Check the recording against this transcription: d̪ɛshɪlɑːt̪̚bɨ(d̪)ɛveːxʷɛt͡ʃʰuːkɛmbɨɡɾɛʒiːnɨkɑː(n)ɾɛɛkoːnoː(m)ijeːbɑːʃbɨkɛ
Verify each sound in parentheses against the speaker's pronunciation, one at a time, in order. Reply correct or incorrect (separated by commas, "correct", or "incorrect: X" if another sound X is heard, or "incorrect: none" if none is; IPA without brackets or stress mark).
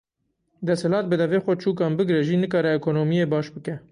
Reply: correct, incorrect: none, correct